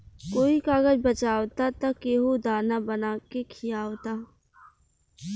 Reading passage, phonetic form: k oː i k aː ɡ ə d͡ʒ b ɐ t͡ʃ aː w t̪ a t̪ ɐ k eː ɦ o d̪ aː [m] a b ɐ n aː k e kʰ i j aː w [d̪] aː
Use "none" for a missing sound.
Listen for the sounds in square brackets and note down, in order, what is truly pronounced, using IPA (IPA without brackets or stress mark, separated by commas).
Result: n, t̪